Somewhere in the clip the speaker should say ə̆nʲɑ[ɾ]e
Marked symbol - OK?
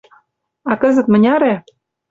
yes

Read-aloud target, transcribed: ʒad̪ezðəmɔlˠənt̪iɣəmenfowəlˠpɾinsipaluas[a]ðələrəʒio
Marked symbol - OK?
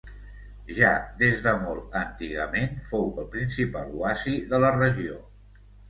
no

